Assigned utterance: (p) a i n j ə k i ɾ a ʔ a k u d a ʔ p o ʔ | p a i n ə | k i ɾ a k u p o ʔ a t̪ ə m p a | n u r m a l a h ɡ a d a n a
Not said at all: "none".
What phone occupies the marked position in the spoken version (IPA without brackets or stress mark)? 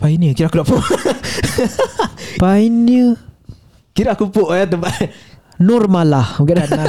p